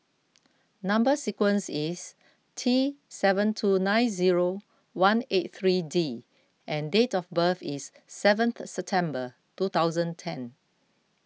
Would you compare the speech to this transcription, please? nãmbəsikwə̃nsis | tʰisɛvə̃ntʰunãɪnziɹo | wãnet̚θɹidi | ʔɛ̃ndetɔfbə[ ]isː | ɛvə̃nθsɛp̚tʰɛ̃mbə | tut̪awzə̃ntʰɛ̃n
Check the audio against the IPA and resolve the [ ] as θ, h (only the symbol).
θ